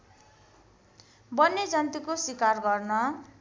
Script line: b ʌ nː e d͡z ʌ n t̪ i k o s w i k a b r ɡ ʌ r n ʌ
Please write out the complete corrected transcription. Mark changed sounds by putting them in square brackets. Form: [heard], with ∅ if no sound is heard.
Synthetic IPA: b ʌ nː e d͡z ʌ n t̪ i k o s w i k a [∅] r ɡ ʌ r n ʌ